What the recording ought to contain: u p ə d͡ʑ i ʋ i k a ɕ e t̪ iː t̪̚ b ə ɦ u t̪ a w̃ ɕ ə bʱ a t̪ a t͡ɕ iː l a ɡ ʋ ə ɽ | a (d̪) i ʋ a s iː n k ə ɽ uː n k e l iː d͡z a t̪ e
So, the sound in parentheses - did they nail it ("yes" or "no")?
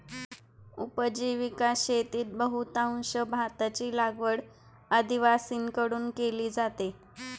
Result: yes